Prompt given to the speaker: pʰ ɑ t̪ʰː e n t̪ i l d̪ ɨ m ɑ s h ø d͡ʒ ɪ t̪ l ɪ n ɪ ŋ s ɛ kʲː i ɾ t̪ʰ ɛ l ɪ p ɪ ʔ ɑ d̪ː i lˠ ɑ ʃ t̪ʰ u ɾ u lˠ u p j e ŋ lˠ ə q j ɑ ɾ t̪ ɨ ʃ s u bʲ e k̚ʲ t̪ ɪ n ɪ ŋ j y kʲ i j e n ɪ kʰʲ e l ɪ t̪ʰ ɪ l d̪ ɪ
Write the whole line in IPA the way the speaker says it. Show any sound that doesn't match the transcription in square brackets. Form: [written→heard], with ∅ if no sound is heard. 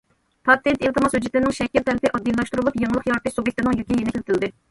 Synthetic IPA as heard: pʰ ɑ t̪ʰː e n t̪ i l [d̪→t̪] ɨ m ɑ s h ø d͡ʒ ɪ t̪ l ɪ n ɪ ŋ [s→ʃ] ɛ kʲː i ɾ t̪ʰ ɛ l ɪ p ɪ ʔ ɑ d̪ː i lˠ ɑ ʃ [t̪ʰ→t̪] u ɾ u lˠ u p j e ŋ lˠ ə q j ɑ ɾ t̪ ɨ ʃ s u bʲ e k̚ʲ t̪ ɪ n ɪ ŋ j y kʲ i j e n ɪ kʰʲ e l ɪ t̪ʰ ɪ l d̪ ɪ